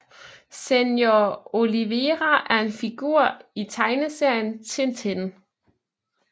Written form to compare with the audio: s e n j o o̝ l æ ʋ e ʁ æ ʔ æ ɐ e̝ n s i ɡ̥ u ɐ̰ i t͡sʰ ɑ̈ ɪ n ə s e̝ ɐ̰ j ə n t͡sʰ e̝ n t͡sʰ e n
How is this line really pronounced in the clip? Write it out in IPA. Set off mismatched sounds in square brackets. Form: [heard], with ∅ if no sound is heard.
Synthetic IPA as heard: s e n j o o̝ l [i] ʋ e ʁ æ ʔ æ ɐ e̝ n [f] i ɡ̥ u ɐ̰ i t͡sʰ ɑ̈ ɪ n ə s e̝ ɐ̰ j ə n t͡sʰ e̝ n t͡sʰ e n